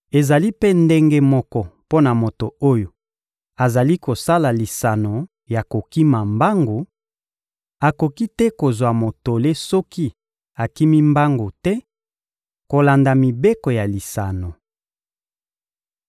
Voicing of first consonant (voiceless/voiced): voiced